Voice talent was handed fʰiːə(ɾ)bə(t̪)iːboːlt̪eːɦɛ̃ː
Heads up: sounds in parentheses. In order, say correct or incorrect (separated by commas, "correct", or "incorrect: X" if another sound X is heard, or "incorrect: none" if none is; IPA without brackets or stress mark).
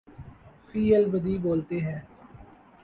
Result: incorrect: l, incorrect: d̪